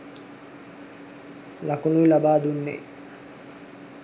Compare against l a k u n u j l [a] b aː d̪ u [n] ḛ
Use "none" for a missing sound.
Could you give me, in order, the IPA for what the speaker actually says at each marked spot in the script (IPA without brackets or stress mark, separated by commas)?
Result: a, nː